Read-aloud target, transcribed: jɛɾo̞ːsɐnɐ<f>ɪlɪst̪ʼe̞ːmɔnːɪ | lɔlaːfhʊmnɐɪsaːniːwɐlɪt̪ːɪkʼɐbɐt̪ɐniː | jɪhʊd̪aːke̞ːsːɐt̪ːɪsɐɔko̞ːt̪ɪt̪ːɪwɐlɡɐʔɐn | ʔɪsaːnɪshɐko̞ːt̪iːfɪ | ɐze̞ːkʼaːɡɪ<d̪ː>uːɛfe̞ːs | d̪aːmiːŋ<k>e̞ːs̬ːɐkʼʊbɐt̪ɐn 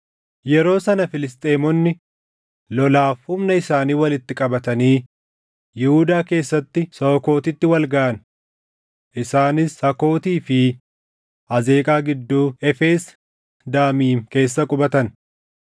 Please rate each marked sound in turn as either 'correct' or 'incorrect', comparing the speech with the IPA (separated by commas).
correct, correct, correct